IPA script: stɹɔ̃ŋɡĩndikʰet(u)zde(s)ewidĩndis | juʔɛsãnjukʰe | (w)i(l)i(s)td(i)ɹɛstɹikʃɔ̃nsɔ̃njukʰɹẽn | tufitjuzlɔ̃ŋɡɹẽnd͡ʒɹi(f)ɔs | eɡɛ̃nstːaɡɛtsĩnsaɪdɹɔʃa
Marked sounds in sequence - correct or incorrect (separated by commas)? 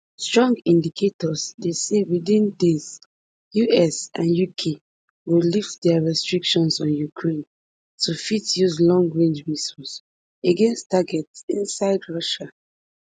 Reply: incorrect, correct, correct, correct, incorrect, incorrect, incorrect